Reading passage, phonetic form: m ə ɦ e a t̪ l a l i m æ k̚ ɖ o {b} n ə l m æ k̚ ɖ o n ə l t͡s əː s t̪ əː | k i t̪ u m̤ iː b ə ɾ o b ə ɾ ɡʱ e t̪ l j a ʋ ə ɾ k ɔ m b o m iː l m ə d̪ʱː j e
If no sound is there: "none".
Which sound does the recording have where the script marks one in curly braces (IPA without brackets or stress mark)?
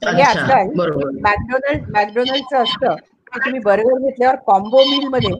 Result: none